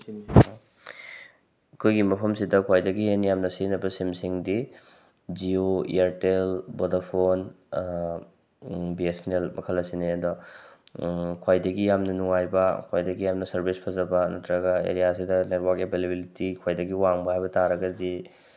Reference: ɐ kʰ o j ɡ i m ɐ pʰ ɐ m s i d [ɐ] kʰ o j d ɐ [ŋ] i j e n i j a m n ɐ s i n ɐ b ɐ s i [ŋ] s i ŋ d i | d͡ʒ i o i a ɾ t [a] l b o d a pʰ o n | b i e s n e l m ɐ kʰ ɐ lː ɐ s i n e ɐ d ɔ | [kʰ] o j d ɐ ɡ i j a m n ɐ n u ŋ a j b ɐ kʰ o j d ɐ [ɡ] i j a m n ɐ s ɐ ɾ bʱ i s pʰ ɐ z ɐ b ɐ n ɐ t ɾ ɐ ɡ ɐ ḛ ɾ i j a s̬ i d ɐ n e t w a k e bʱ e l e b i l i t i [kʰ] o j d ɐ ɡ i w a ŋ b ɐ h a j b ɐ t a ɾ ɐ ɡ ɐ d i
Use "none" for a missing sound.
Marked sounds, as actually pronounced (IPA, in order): ɐ, ɡ, m, e, kʰ, ɡ, kʰ

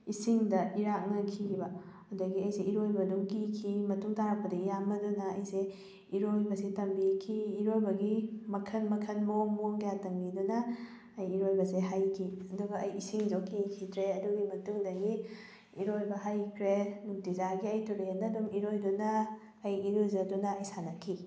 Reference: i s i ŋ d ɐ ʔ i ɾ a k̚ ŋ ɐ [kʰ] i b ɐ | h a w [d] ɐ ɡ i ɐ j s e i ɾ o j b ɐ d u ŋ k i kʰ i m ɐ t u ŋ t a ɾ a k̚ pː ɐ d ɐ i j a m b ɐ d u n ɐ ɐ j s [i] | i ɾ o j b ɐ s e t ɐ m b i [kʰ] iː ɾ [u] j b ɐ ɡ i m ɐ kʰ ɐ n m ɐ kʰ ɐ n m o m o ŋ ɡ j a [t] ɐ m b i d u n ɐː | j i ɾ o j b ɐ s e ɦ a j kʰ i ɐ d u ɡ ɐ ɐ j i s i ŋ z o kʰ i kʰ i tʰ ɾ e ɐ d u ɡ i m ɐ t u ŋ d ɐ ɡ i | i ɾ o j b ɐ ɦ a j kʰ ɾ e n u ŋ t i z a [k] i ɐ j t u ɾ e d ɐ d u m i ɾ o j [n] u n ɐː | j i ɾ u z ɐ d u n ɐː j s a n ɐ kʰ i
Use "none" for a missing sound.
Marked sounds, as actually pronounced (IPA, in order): kʰ, d, e, kʰ, o, t, ɡ, d

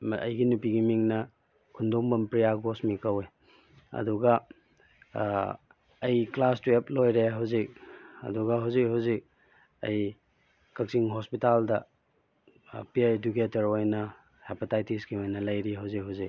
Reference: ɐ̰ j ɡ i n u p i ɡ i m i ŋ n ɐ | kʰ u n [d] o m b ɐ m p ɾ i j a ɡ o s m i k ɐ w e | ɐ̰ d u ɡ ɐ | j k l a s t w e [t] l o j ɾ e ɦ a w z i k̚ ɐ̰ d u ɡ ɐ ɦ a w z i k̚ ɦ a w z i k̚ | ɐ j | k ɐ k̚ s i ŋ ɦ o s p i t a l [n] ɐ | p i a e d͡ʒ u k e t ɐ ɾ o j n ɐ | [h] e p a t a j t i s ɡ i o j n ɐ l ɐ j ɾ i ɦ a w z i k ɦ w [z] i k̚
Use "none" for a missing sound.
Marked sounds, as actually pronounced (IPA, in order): d, p, d, h, z

